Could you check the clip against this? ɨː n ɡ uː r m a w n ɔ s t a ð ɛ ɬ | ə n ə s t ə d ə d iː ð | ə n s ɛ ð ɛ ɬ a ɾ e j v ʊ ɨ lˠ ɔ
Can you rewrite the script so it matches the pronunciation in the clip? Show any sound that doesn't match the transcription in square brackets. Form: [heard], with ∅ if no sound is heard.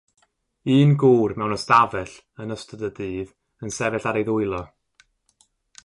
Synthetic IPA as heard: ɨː n ɡ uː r m [ɛ] w n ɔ s t a [v] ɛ ɬ | ə n ə s t ə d ə d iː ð | ə n s ɛ [v] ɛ ɬ a ɾ e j [ð] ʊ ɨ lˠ ɔ